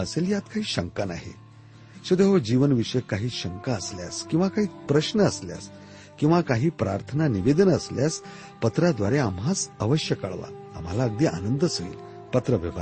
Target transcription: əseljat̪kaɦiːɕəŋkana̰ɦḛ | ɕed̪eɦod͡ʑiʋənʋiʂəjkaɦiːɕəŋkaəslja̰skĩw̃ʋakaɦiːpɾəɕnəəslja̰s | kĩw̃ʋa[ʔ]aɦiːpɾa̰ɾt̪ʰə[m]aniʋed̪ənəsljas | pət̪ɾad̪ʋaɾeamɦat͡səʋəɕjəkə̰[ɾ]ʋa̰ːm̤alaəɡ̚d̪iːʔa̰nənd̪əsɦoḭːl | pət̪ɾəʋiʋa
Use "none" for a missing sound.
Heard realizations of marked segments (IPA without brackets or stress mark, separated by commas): k, n, ɭ